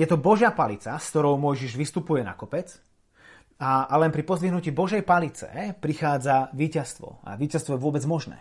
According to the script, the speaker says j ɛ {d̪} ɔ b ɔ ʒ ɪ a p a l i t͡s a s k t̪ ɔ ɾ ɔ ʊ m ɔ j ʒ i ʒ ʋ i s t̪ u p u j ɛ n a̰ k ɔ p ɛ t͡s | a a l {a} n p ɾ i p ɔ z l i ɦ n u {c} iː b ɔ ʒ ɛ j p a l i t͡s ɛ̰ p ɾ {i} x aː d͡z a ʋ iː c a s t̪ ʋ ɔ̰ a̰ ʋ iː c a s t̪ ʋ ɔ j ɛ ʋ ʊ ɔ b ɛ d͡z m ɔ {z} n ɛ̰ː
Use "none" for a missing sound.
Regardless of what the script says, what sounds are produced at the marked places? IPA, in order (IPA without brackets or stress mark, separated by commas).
t̪, ɛ, c, i, ʒ